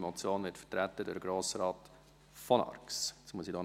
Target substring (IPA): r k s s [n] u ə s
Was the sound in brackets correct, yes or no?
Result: no